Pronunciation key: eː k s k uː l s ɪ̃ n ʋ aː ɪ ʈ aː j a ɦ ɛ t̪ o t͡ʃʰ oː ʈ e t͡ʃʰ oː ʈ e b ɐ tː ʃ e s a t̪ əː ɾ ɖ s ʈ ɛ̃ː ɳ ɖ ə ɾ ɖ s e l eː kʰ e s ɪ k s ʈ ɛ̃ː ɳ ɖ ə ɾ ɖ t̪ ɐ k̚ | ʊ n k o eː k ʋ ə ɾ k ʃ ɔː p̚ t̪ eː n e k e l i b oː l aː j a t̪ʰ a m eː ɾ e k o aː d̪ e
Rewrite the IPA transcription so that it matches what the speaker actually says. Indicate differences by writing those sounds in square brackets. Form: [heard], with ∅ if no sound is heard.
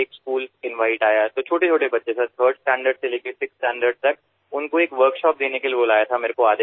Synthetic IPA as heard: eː k s k uː l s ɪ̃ n ʋ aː ɪ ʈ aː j a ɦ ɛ t̪ o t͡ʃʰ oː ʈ e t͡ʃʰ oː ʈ e b ɐ tː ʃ e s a [t̪ʰ] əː ɾ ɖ s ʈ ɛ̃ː ɳ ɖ ə ɾ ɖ s e l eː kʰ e s ɪ k s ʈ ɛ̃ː ɳ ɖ ə ɾ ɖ t̪ ɐ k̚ | ʊ n k o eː k ʋ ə ɾ k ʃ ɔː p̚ [d̪] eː n e k e l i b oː l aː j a t̪ʰ a m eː ɾ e k o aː d̪ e